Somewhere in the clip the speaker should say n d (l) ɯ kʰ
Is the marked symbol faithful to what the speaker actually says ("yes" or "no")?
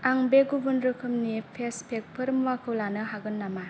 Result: no